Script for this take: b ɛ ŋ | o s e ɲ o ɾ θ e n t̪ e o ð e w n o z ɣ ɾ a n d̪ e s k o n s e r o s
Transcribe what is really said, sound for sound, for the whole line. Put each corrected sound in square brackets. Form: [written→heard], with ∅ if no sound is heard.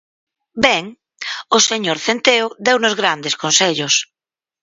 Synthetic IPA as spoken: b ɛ ŋ | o s e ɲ o ɾ θ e n t̪ e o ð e w n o z ɣ ɾ a n d̪ e s k o n s e [r→ʎ] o s